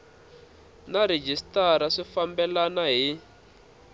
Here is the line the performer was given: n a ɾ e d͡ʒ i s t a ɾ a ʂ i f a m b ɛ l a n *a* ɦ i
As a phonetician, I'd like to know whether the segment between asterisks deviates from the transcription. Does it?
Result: no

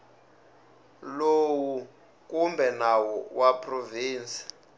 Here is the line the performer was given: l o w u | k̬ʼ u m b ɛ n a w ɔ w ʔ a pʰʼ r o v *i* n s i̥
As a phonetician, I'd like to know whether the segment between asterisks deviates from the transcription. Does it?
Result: yes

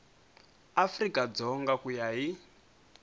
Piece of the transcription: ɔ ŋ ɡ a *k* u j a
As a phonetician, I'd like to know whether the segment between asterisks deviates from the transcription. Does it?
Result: no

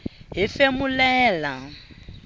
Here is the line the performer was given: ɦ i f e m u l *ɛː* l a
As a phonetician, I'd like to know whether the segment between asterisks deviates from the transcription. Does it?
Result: no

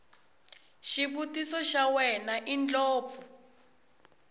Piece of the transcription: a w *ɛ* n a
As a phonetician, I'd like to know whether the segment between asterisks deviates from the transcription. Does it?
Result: no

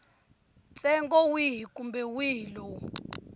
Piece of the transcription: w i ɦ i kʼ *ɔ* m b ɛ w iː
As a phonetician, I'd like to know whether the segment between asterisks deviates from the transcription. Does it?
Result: yes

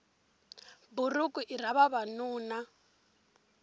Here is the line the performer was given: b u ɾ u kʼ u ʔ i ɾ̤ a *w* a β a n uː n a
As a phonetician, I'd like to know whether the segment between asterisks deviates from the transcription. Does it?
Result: yes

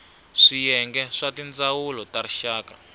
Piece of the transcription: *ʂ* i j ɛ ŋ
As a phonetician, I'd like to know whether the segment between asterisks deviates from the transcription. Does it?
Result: no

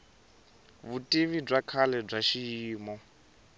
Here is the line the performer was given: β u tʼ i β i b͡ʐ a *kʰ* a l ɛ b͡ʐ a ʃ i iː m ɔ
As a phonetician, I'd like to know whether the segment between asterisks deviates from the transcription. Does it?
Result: no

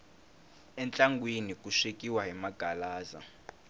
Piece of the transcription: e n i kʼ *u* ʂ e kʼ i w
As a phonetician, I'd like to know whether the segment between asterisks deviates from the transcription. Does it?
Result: no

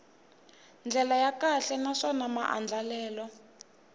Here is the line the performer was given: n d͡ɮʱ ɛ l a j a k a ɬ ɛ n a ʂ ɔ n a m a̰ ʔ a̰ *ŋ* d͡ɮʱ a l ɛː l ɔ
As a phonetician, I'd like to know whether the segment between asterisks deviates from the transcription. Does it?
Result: yes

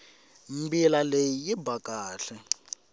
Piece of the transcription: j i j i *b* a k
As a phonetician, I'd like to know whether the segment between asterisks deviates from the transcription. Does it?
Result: no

